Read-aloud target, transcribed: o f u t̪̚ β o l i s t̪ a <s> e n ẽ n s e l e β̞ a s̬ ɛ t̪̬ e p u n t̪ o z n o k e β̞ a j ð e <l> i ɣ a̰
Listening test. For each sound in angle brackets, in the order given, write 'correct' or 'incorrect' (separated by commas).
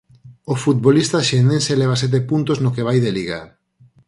incorrect, correct